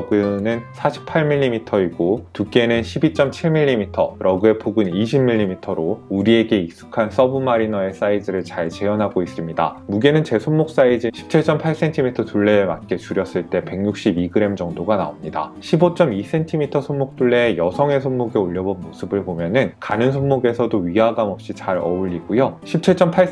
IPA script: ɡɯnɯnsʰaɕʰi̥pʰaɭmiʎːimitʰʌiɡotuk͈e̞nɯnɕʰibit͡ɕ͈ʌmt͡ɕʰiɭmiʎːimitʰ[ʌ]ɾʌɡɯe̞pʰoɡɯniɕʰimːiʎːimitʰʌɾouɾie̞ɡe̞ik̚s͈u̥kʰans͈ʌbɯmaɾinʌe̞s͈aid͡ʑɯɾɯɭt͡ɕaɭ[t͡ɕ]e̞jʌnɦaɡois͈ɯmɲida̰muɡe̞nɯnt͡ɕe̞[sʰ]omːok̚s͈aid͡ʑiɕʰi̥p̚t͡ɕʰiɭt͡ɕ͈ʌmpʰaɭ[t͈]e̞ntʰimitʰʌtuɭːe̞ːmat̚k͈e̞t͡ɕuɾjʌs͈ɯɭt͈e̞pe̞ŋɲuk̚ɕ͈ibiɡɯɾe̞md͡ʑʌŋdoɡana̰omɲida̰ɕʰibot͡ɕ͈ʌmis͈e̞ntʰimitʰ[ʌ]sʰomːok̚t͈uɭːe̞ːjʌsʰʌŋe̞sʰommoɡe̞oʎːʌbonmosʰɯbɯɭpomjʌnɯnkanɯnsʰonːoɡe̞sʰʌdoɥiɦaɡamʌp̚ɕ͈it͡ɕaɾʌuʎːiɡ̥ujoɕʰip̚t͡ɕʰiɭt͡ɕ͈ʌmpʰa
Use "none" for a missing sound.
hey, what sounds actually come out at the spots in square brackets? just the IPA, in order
ʌ, t͡ɕ, sʰ, s͈, ʌ

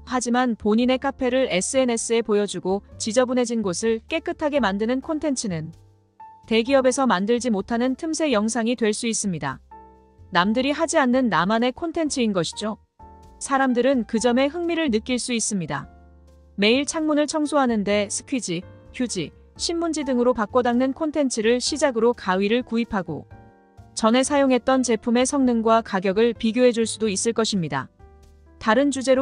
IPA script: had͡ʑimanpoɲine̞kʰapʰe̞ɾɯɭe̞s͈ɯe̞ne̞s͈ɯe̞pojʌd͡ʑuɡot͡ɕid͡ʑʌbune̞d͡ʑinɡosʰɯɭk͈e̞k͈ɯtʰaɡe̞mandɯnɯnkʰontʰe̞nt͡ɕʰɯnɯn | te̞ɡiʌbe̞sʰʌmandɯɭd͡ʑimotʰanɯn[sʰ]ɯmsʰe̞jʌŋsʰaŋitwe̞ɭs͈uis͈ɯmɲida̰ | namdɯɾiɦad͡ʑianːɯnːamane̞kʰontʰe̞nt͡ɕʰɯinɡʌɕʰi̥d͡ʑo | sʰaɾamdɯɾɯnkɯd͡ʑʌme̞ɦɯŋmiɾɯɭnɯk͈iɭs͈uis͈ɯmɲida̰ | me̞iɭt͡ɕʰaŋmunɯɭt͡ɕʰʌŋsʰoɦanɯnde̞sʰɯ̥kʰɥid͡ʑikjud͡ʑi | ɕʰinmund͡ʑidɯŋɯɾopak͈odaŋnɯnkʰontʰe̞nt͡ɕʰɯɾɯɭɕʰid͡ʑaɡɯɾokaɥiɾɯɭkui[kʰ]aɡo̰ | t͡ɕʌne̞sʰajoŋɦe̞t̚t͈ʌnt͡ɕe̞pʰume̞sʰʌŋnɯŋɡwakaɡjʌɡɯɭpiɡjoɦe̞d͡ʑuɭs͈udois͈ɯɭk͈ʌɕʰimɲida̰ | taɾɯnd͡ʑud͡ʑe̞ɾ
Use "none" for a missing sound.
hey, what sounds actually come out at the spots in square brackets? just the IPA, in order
tʰ, pʰ

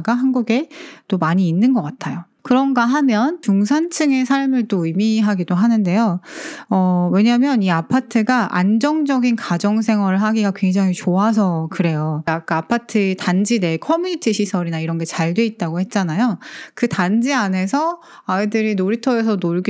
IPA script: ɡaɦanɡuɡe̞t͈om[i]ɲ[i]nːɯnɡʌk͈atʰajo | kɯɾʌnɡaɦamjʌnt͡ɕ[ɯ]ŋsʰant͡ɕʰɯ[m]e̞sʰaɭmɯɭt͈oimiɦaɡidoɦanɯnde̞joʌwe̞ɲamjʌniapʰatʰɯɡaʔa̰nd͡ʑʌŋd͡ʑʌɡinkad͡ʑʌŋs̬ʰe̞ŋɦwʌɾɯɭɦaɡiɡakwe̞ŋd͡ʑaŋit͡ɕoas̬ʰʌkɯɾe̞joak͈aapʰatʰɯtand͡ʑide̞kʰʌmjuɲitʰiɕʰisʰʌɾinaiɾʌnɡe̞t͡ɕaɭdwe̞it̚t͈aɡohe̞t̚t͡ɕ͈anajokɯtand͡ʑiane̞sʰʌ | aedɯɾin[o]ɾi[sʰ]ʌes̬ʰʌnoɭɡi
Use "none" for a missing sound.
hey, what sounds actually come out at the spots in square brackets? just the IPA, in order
a, iː, u, ŋ, o, tʰ

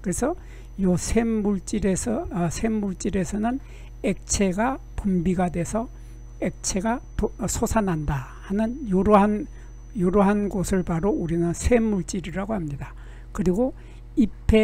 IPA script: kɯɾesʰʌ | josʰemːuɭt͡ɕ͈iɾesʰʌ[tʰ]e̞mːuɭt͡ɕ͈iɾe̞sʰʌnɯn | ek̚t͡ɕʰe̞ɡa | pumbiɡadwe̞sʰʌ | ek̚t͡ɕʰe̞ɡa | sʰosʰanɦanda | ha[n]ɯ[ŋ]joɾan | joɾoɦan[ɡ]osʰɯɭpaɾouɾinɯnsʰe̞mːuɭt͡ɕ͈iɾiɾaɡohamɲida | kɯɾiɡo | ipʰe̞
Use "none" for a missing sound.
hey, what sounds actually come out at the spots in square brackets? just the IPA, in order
sʰ, n, n, ɡ

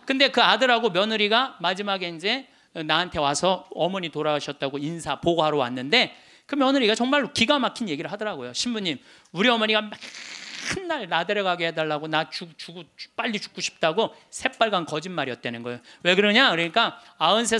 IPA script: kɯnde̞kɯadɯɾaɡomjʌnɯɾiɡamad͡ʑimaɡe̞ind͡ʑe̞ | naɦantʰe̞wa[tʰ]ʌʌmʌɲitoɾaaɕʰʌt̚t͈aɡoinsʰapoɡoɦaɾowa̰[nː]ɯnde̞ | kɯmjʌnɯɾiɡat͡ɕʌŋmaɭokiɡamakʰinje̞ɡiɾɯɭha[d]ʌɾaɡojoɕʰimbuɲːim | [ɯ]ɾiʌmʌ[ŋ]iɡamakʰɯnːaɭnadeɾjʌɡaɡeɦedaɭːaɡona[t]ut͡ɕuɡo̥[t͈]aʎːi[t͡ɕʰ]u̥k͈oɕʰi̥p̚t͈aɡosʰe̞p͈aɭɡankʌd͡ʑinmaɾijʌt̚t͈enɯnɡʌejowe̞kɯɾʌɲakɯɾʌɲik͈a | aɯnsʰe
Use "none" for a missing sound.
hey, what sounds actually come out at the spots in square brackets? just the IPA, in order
sʰ, nː, d, u, ɲ, t͡ɕ, p͈, t͡ɕ

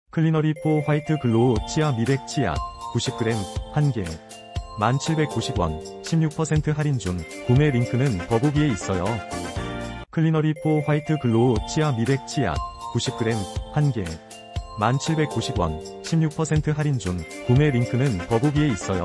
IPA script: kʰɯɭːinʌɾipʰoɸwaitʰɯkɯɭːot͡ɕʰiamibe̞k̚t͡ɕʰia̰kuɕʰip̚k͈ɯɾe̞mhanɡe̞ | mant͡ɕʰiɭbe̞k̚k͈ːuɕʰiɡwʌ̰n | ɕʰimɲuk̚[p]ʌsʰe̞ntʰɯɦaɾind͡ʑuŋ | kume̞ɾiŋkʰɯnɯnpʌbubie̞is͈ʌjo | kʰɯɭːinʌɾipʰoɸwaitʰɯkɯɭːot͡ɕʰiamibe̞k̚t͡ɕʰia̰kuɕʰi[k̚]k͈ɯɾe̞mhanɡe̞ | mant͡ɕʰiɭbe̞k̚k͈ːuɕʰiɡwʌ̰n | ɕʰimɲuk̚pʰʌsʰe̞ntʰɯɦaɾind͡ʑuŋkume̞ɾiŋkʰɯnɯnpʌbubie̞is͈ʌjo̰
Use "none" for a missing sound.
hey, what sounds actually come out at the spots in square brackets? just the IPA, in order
pʰ, p̚

